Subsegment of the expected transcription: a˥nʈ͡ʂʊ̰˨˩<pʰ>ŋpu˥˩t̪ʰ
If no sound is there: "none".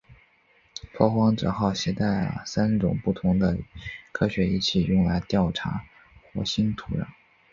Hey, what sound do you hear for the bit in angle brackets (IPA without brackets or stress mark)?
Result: none